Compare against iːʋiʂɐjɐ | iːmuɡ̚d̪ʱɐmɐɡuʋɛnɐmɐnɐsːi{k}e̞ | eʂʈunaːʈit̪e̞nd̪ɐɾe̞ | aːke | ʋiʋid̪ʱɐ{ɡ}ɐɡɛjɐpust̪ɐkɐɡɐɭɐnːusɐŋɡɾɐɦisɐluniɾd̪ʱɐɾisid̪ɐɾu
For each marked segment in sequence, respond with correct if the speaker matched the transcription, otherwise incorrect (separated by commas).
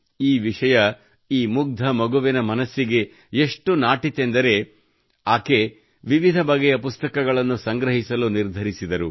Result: incorrect, incorrect